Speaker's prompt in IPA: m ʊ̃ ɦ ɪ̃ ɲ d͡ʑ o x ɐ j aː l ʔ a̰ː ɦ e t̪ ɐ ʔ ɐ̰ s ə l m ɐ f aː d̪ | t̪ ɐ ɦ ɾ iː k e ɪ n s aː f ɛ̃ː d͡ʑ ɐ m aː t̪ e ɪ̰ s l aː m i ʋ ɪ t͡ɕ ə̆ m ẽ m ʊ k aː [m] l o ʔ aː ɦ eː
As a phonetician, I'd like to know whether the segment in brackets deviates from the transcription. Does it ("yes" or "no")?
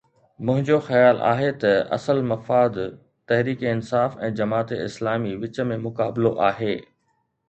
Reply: yes